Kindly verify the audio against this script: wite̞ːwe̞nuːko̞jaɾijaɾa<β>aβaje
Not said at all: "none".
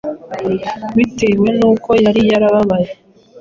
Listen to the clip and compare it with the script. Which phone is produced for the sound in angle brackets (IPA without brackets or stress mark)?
β